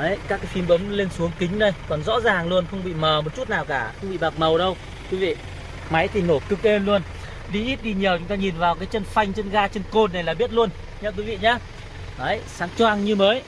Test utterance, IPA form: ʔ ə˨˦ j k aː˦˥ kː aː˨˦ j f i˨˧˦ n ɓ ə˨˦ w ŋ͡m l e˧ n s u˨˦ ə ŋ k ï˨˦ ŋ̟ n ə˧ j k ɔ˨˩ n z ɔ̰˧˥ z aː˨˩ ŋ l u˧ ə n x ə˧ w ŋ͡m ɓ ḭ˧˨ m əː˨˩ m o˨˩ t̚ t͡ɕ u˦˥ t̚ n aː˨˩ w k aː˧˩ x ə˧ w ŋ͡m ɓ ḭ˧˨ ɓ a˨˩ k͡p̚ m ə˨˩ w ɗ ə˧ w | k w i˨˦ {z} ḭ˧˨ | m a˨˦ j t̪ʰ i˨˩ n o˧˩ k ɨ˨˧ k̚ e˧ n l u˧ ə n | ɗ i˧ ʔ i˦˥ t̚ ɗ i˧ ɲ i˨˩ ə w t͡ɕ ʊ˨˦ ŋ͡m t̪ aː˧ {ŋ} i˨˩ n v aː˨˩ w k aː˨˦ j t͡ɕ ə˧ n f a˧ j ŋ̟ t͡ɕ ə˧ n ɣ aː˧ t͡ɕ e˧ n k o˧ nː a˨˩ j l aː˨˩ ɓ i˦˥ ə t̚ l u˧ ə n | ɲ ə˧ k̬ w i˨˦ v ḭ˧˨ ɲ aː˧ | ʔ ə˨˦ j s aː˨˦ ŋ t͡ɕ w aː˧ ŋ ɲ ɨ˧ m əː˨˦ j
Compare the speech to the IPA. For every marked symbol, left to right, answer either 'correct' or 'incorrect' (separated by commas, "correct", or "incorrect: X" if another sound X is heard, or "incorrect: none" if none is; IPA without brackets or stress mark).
incorrect: v, incorrect: ɲ